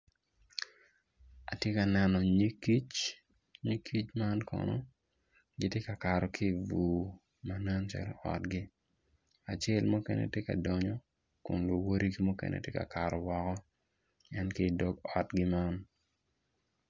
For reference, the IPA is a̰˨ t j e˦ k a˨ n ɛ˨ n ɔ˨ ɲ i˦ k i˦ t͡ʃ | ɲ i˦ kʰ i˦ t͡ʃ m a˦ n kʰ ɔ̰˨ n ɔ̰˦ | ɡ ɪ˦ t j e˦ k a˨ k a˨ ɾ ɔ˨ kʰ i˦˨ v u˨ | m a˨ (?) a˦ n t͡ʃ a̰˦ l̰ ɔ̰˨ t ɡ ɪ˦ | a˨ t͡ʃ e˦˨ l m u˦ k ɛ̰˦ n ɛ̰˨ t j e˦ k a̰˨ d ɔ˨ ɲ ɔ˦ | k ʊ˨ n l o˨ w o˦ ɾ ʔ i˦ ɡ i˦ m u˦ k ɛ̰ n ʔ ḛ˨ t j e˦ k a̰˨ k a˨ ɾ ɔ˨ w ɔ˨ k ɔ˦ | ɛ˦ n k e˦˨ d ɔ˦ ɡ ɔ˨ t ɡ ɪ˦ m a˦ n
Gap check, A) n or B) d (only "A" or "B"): A